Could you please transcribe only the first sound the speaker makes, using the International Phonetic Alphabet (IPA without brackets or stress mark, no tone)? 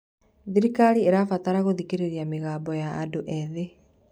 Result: ð